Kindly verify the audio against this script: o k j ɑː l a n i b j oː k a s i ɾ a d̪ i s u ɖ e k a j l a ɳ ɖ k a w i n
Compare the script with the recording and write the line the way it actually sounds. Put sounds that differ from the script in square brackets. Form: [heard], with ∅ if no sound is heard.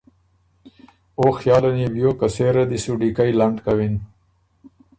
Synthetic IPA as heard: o [x] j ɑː l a n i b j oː k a s [e] ɾ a d̪ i s u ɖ [i] k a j l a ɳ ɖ k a w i n

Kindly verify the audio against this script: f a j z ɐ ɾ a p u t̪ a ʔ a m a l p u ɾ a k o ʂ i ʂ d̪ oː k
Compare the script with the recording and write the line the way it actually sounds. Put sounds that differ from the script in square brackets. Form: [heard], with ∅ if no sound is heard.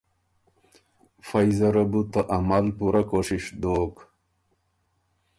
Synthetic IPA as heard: f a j z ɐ ɾ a [b] u t̪ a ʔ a m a l p u ɾ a k o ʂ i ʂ d̪ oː k

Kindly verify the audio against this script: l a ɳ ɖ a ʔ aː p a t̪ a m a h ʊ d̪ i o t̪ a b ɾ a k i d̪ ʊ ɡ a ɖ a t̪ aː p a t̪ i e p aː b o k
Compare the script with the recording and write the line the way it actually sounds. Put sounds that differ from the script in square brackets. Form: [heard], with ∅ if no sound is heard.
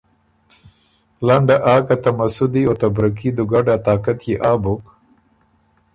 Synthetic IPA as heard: l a ɳ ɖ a ʔ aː [k] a t̪ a m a [s] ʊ d̪ i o t̪ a b ɾ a k i d̪ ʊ ɡ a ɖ a t̪ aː [k] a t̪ [j] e [ʔ] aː b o k

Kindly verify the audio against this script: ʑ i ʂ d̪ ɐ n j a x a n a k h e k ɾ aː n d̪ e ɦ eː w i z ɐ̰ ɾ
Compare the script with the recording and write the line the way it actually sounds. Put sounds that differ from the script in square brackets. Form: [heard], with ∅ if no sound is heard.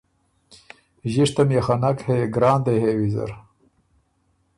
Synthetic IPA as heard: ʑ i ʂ [t̪] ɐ [m] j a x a n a k h e [ɡ] ɾ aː n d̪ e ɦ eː w i z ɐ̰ ɾ

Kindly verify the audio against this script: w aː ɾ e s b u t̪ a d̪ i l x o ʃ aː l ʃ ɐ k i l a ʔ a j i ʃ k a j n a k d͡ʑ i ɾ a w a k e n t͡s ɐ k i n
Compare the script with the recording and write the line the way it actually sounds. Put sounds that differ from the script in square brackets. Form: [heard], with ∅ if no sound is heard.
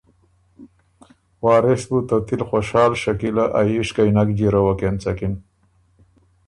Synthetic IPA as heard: w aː ɾ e s b u t̪ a [t̪] i l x o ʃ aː l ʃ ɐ k i l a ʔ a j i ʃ k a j n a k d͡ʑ i ɾ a w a k e n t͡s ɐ k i n

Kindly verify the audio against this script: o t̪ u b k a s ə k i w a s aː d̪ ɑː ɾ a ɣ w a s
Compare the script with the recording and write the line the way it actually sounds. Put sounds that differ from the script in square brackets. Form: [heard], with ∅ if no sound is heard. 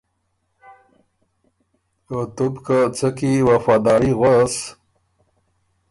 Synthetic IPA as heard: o t̪ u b k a [t͡s] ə k i w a [f] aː d̪ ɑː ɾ [i] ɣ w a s

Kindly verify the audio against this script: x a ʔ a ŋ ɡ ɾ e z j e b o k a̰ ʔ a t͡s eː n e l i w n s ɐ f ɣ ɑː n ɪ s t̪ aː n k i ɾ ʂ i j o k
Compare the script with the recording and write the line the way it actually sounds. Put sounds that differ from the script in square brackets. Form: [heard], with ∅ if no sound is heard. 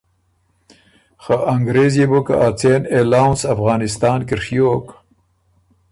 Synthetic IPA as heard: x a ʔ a ŋ ɡ ɾ e z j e b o k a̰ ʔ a t͡s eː n e l [a] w n s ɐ f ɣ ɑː n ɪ s t̪ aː n k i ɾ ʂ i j o k

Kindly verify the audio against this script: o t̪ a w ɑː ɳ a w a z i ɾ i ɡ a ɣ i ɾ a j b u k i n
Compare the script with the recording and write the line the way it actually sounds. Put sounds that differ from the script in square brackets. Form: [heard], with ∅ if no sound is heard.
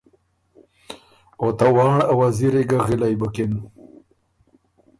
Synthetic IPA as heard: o t̪ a w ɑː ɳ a w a z i ɾ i ɡ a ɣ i [l] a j b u k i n

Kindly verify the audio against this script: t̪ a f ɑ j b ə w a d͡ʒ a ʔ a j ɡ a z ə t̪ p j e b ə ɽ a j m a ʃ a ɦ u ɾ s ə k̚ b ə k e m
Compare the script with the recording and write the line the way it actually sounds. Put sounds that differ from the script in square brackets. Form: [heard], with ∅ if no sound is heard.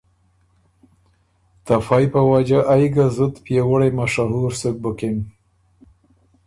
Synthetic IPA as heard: t̪ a f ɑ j [p] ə w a d͡ʒ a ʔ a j ɡ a z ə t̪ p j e [w] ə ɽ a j m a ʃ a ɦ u ɾ s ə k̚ b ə k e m

